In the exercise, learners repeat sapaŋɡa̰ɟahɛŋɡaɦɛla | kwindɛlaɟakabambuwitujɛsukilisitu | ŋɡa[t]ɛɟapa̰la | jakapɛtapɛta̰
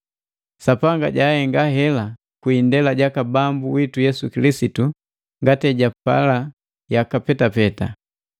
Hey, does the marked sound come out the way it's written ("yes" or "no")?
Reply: yes